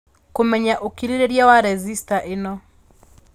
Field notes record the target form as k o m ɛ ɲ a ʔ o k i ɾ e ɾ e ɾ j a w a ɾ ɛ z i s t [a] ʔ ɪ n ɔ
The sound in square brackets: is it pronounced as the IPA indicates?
yes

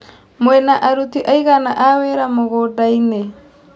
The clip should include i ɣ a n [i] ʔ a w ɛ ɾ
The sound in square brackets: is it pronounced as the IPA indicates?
no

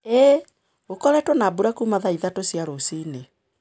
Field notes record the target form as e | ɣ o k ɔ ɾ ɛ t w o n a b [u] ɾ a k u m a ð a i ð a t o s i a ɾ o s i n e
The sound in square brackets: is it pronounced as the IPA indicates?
yes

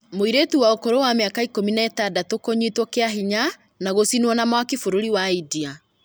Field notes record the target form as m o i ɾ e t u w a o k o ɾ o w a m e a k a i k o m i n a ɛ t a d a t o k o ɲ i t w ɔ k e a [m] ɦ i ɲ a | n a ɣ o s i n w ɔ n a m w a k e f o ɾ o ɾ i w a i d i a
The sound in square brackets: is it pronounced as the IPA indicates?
no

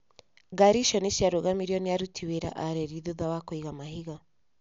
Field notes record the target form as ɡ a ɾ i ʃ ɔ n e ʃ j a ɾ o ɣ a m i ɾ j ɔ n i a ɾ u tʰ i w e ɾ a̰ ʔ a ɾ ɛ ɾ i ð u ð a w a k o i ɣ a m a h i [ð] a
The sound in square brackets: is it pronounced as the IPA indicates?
no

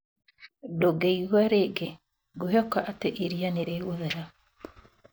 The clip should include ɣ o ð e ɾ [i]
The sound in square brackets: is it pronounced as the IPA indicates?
no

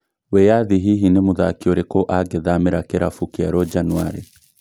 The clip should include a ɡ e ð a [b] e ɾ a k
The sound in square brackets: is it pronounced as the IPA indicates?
no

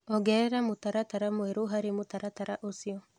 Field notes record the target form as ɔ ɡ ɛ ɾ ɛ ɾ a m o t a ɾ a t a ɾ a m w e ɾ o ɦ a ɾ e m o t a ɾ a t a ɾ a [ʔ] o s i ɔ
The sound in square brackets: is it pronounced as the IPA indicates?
yes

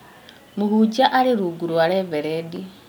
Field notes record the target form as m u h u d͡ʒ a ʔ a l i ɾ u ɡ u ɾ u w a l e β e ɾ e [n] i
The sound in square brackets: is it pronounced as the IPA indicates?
no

